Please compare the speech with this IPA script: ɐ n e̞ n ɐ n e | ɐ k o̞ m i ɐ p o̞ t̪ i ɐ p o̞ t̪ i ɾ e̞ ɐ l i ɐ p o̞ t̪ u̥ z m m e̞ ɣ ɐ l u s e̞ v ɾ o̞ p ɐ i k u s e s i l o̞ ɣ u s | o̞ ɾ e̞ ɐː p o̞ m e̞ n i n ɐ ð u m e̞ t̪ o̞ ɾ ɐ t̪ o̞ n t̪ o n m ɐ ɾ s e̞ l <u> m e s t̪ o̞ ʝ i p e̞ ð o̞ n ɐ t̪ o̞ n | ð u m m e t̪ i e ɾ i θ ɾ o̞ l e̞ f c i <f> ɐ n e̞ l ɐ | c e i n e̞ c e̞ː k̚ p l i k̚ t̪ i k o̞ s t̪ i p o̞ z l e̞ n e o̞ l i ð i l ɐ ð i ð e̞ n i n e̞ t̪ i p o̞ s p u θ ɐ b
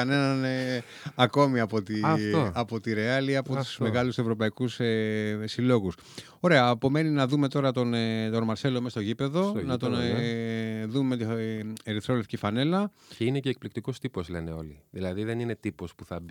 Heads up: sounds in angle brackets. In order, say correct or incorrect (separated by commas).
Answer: incorrect, correct